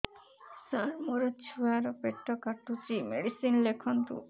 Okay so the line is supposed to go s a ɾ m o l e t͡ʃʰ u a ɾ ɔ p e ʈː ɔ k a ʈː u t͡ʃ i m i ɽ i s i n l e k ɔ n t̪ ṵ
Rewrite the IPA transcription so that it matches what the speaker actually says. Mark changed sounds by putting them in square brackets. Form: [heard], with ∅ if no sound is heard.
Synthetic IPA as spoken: s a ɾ m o [ɾ] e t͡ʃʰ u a ɾ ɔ p e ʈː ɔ k a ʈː u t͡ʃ i m [e] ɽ i s i n l e [kʰ] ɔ n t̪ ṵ